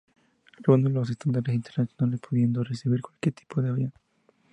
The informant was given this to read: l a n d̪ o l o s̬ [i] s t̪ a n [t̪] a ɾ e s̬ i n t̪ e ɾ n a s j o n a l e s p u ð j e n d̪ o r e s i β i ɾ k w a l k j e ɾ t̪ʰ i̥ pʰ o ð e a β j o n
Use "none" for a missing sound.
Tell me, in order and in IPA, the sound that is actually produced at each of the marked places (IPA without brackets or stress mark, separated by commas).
e, d̪